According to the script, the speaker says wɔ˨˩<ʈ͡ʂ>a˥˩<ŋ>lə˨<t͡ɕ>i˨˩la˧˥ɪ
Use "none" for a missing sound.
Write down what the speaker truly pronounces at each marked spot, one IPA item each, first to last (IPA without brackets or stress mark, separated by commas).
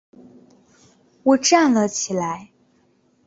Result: ʈ͡ʂ, n, t͡ɕʰ